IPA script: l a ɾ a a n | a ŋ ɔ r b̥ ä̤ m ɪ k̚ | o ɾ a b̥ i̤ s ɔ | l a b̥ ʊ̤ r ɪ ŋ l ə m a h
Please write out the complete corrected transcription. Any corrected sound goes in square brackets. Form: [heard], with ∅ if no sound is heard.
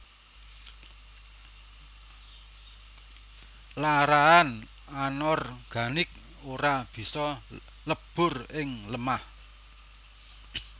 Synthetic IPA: l a ɾ a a n | a [n] ɔ r [ɡ̥] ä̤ [n] ɪ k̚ | o ɾ a b̥ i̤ s ɔ | l [ə] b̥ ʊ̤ r ɪ ŋ l ə m a h